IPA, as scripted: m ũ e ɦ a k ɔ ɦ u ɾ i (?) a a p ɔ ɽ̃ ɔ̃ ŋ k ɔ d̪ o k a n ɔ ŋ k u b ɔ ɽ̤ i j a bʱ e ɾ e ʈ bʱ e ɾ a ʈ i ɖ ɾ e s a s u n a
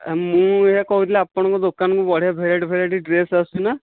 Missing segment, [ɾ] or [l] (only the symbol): l